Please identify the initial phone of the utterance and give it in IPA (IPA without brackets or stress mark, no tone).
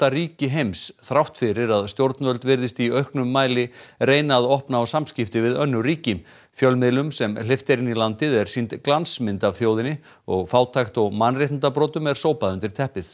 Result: t̪